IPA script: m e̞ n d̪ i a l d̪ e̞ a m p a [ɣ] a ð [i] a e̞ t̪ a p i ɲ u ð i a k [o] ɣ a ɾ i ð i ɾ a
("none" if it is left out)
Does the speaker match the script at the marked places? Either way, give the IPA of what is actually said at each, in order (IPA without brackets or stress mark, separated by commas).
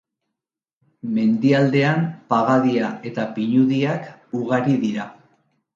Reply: ɣ, i, u